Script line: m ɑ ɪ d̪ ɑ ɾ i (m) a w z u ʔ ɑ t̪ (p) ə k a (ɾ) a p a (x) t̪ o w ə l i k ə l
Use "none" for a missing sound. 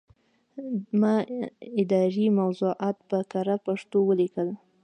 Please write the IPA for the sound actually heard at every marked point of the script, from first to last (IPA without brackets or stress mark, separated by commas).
m, p, ɾ, ʂ